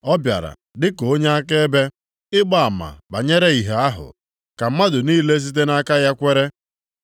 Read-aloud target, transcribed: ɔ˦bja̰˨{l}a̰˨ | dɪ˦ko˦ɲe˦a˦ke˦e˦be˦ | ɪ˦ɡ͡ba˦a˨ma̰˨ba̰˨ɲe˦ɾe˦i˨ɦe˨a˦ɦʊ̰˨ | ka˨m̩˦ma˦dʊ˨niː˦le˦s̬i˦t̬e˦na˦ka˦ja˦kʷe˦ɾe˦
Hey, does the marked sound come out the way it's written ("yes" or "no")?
no